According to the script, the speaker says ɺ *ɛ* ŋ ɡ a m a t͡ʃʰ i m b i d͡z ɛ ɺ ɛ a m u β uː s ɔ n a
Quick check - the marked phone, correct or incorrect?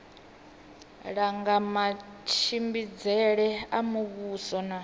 incorrect